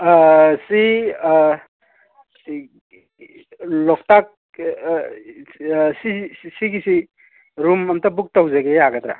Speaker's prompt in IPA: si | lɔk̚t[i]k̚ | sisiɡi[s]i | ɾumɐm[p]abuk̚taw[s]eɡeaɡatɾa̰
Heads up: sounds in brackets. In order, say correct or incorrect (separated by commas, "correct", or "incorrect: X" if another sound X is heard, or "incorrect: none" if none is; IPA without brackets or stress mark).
incorrect: a, correct, incorrect: t, incorrect: z